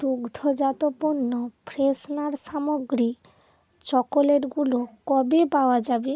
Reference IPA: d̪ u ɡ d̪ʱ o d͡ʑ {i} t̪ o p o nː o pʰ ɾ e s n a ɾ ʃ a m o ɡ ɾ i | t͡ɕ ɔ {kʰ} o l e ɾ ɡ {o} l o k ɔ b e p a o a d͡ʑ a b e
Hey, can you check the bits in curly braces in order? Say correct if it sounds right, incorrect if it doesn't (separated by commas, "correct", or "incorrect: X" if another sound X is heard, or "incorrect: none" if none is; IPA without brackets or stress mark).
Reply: incorrect: a, incorrect: k, incorrect: u